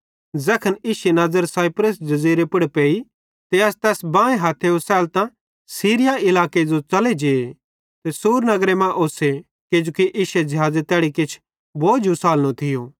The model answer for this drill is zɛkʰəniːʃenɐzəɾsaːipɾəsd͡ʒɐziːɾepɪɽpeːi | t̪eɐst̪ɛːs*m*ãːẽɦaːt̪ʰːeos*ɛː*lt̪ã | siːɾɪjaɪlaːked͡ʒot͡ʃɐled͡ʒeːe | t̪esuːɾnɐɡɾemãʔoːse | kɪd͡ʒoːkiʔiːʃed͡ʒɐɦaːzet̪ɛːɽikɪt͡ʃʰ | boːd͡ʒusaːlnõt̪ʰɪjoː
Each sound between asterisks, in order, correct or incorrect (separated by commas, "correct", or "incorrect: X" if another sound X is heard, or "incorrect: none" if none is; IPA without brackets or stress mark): incorrect: b, correct